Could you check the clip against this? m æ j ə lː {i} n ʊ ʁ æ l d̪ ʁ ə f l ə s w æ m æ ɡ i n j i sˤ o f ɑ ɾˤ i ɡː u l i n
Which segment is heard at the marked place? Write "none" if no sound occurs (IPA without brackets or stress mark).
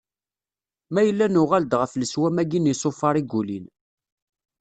æ